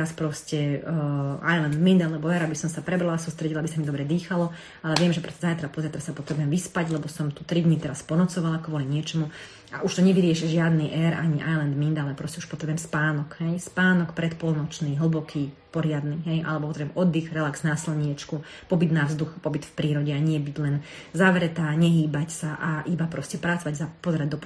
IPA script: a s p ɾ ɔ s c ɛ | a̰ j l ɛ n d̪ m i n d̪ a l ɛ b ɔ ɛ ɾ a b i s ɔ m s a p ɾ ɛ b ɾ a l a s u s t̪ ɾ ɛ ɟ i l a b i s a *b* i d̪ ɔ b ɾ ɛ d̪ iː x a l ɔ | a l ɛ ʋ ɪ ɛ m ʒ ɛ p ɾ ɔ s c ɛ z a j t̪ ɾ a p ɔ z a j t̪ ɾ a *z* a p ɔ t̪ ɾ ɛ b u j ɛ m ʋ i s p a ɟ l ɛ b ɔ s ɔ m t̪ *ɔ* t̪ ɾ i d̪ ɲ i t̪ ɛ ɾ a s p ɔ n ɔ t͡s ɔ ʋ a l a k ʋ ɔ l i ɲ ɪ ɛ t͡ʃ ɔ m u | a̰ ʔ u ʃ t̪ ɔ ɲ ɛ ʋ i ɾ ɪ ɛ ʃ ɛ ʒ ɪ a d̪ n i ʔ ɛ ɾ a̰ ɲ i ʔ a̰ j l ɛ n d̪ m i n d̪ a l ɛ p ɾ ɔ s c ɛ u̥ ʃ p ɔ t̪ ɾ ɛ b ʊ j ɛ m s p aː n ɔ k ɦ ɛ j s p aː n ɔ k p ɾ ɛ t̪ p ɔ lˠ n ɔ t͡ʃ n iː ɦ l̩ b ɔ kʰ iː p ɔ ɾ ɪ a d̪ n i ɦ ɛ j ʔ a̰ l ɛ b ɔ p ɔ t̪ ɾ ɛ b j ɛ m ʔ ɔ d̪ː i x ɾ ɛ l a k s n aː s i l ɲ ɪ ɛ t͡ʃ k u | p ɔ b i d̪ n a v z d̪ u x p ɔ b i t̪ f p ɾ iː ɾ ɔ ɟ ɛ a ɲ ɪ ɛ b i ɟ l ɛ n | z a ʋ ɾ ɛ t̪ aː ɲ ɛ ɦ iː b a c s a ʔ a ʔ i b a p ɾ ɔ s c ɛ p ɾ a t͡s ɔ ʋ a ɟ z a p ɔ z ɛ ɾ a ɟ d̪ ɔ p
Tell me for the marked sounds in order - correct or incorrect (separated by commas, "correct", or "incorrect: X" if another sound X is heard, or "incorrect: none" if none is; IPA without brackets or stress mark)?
incorrect: m, incorrect: s, incorrect: u